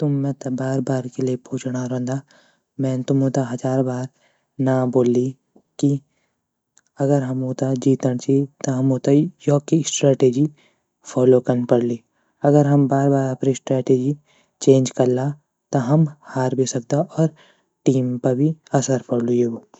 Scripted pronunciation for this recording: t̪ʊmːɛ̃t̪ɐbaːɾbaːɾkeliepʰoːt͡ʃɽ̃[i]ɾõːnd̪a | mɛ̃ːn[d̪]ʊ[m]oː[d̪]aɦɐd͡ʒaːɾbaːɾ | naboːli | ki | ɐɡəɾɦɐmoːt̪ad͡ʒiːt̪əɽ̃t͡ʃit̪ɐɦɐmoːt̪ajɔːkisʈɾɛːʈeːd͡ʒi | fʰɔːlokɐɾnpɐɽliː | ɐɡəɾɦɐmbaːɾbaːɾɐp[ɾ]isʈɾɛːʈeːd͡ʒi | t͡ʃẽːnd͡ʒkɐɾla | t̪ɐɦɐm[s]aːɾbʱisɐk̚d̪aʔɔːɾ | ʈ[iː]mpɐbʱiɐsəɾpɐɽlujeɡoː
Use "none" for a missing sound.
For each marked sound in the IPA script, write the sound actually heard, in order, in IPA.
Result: a, t̪, m, t̪, ɾ, h, iː

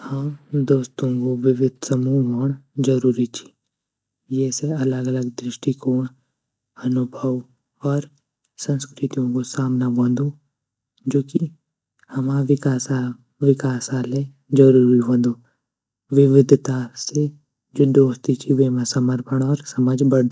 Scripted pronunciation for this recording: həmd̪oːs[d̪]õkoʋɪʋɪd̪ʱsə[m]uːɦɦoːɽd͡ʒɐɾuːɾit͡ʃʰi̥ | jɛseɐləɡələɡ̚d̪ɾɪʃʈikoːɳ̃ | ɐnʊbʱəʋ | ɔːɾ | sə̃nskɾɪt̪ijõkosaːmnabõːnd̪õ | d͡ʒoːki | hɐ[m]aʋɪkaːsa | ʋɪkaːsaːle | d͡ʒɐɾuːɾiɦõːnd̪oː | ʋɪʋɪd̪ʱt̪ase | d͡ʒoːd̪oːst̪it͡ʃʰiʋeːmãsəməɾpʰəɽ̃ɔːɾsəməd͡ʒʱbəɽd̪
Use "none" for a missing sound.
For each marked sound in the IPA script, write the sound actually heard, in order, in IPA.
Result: t̪, m, m

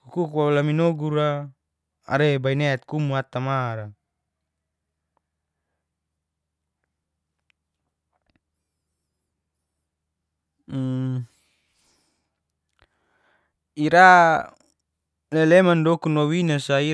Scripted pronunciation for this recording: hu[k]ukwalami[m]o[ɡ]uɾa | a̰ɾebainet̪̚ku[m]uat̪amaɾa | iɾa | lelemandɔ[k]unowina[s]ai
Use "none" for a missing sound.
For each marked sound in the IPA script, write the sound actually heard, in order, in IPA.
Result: k, n, ɡ, m, k, s

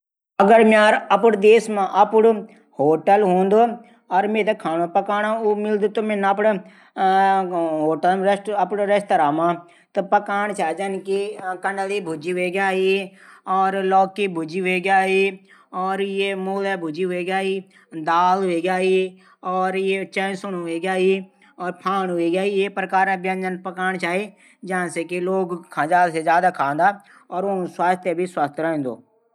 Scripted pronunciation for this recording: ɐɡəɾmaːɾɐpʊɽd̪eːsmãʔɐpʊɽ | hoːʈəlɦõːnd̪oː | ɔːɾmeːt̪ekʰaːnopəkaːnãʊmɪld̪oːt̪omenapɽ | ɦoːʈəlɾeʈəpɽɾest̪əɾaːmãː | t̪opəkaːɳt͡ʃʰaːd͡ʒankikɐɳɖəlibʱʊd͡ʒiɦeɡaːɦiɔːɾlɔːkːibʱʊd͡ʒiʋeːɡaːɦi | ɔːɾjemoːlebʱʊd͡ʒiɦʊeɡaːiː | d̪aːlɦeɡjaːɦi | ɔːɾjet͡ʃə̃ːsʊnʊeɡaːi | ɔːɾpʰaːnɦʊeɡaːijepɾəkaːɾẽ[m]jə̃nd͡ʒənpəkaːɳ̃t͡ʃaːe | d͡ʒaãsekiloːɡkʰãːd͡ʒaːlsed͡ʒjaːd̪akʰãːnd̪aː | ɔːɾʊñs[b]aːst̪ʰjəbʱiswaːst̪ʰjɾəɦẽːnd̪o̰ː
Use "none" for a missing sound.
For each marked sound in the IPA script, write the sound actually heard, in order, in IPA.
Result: b, w

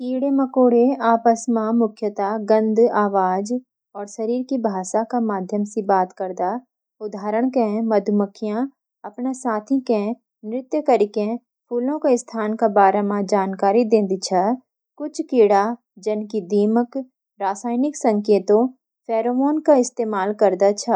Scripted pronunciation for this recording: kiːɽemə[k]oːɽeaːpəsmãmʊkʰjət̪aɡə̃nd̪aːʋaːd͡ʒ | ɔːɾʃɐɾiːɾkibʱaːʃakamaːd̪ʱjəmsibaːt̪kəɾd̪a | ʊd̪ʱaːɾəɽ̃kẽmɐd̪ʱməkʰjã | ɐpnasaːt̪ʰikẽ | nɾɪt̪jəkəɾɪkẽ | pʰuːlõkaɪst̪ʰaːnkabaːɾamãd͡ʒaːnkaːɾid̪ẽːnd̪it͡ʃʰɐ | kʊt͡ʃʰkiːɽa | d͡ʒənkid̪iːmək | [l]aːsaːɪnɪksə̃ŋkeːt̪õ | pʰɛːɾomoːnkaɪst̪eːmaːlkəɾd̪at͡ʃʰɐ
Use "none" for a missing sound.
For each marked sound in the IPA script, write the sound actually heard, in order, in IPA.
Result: k, ɾ

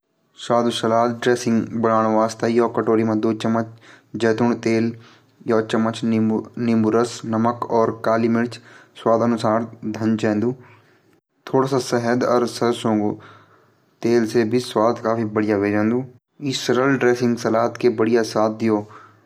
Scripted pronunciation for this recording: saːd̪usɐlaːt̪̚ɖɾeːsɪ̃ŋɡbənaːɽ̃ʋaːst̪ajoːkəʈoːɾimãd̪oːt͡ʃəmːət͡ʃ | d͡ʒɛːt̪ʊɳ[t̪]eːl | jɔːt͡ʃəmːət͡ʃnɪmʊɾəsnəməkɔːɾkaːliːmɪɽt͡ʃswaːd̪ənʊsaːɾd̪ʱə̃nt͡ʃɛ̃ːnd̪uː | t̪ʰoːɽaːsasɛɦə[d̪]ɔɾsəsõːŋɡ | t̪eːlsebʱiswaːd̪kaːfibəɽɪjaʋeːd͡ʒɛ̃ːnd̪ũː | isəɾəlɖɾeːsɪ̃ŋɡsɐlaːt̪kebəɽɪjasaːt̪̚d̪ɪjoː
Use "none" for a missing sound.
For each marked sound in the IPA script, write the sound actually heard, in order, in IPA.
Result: t̪, d̪

